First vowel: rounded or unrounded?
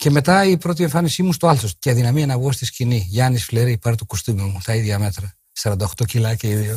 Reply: unrounded